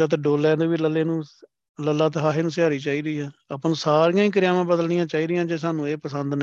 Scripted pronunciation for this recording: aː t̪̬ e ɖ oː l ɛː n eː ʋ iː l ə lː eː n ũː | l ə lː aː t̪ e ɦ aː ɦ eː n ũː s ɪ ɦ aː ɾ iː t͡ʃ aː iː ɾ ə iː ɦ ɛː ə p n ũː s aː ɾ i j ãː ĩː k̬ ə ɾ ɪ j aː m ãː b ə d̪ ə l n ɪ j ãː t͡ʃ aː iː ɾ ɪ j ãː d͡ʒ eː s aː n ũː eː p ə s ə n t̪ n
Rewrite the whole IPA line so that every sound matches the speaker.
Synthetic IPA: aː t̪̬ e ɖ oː l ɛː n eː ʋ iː l ə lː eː n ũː | l ə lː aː t̪ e ɦ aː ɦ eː n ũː s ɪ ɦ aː ɾ iː t͡ʃ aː iː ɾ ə iː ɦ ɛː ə p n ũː s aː ɾ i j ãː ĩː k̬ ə ɾ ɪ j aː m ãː b ə d̪ ə l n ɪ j ãː t͡ʃ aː iː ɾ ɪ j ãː d͡ʒ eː s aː n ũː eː p ə s ə n d̪ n